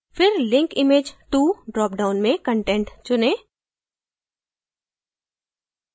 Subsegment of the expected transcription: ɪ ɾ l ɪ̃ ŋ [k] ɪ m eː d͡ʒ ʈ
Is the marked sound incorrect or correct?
correct